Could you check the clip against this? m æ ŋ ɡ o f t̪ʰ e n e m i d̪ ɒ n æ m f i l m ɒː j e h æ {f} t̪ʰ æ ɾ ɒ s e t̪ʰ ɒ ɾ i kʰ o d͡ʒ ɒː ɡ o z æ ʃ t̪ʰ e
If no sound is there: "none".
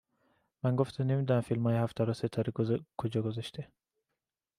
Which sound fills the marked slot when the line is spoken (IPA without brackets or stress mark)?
f